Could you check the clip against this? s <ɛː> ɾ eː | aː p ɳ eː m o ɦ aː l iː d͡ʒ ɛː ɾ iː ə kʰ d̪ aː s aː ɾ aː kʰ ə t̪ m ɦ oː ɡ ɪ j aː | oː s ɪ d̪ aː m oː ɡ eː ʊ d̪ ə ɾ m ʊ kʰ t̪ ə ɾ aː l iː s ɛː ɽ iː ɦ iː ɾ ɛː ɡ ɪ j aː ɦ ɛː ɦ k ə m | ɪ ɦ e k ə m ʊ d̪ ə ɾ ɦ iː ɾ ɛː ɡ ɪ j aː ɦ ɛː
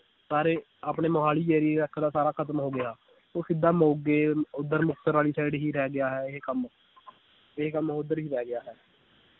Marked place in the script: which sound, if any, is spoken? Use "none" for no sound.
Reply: aː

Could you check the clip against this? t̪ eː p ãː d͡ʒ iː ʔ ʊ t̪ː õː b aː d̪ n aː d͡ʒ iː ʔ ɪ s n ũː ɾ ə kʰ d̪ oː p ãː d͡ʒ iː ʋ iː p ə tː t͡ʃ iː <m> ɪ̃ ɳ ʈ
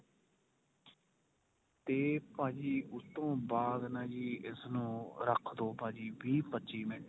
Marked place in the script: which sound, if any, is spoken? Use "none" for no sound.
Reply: m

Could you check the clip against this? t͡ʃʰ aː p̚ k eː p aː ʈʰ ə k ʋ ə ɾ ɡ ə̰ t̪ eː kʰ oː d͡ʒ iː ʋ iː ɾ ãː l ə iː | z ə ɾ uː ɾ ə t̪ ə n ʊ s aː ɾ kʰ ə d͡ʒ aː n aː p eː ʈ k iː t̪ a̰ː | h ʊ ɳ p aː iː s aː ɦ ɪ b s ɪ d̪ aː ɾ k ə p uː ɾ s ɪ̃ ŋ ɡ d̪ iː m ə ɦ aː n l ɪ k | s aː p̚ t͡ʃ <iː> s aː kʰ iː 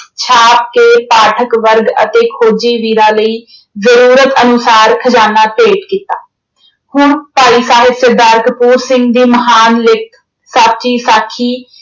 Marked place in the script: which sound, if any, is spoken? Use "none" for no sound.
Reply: iː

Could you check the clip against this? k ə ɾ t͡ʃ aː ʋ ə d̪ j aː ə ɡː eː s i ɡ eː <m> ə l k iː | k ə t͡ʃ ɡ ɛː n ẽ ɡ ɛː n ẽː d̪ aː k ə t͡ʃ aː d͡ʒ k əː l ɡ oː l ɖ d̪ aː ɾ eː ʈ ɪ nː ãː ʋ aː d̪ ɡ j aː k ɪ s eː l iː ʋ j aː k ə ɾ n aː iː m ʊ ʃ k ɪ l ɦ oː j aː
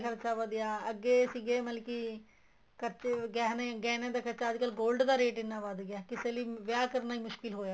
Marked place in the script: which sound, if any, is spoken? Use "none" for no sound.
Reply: m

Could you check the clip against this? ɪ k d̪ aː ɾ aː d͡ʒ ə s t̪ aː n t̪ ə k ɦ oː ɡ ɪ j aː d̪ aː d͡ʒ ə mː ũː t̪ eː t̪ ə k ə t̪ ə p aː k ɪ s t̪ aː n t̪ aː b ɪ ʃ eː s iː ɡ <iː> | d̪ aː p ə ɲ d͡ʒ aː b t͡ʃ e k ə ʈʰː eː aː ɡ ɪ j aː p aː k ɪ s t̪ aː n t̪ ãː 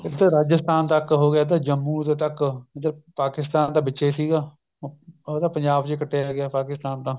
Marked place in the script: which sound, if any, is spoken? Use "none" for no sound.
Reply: aː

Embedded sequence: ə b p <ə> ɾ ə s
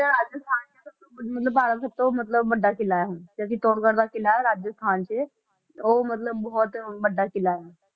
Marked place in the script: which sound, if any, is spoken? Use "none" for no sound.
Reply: a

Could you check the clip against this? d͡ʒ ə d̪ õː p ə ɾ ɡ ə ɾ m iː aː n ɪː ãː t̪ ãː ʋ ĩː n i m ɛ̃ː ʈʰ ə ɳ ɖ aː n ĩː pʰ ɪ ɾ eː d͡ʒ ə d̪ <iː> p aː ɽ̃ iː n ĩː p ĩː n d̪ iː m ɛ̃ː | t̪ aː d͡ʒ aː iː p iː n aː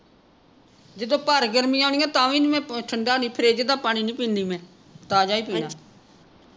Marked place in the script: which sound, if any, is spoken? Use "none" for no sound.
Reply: aː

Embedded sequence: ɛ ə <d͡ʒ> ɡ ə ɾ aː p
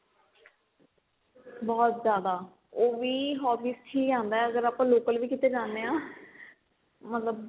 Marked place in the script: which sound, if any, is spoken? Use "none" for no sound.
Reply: none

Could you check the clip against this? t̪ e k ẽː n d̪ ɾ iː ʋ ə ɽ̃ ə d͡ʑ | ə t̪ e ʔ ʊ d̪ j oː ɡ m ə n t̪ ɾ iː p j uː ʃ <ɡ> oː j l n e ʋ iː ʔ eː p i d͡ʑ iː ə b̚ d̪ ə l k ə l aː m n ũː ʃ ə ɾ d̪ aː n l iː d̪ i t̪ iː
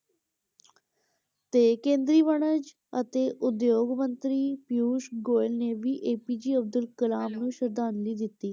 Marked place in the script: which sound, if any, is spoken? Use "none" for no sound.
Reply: ɡ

